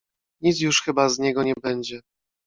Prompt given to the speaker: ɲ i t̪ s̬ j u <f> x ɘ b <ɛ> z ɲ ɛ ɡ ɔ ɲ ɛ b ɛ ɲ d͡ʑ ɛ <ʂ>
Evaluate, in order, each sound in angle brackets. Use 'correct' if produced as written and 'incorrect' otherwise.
incorrect, incorrect, incorrect

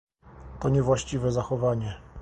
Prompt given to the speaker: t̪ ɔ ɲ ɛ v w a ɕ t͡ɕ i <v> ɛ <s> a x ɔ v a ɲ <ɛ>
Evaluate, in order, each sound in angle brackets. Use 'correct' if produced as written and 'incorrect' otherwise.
correct, incorrect, correct

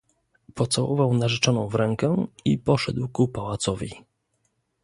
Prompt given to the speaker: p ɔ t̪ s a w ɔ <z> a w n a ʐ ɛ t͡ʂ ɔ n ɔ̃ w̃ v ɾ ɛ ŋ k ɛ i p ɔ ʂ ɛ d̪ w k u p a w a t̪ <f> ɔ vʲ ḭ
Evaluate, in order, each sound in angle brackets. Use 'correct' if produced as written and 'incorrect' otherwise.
incorrect, incorrect

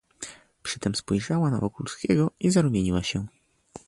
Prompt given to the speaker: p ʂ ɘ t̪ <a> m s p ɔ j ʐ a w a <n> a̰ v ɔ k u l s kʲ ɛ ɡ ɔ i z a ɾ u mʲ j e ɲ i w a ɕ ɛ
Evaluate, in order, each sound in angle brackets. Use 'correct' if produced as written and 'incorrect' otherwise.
incorrect, correct

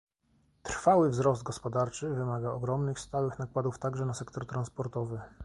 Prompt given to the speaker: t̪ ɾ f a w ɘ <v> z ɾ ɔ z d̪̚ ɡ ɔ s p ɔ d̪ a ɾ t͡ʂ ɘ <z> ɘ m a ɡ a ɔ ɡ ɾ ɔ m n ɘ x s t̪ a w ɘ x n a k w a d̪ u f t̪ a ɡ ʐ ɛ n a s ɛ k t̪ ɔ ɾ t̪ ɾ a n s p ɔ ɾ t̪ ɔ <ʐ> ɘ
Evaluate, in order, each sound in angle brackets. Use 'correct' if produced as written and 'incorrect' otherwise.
correct, incorrect, incorrect

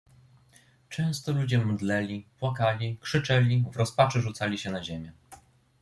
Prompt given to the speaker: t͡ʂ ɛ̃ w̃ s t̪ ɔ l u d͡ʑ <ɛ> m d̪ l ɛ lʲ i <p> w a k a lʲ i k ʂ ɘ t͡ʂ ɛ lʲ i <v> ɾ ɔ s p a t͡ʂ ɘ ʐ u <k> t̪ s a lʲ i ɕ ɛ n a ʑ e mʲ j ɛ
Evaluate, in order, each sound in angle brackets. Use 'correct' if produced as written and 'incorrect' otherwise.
correct, correct, correct, incorrect

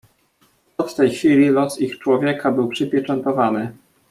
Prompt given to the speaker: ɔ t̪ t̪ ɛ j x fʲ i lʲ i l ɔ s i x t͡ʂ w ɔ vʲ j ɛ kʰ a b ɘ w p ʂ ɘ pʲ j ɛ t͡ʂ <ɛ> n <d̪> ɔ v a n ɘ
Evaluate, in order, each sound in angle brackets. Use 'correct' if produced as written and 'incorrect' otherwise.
correct, incorrect

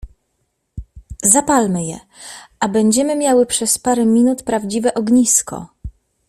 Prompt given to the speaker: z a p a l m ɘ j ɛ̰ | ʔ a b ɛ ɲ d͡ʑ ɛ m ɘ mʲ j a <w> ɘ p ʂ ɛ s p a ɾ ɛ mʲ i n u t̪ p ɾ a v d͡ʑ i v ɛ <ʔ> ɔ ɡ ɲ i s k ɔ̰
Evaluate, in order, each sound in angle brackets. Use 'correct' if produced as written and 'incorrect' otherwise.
correct, correct

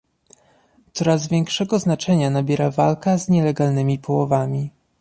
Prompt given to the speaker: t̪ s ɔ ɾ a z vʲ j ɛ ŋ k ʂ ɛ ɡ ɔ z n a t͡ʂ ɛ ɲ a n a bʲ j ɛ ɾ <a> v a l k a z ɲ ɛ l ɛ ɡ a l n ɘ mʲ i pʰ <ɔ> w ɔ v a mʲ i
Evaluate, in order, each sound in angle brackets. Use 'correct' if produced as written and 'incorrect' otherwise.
correct, correct

